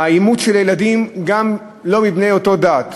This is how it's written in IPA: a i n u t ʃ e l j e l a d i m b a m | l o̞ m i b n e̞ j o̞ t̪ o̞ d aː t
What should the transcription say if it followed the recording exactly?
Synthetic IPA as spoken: a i m u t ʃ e l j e l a d i m ɡ a m | l o̞ m i b n e̞ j o̞ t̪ o̞ d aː t